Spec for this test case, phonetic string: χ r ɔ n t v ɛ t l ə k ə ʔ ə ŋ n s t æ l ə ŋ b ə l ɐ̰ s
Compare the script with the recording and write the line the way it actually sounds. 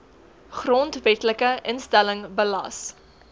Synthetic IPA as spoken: χ r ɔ n t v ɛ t l ə k ə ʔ ə n s t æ l ə ŋ b ə l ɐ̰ s